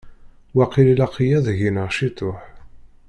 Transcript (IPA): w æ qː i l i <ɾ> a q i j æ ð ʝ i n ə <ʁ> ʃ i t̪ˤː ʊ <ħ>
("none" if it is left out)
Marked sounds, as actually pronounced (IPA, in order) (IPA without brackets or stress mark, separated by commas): l, ʁ, ħ